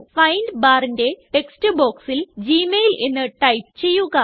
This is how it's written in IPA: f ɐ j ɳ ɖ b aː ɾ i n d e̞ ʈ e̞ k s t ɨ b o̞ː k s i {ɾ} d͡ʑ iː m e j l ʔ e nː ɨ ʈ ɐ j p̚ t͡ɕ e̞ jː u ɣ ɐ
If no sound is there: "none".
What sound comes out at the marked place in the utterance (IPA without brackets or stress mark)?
l